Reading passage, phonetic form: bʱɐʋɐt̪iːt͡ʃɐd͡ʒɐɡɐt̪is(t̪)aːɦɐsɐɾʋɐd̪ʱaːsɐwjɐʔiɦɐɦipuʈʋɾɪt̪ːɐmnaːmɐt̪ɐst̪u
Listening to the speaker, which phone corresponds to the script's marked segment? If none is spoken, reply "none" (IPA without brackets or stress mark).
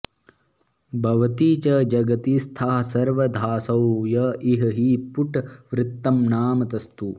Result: t̪ʰ